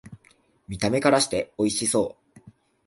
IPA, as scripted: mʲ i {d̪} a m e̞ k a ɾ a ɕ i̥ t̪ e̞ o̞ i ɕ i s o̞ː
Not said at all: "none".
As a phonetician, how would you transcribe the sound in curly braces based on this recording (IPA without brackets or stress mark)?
t̪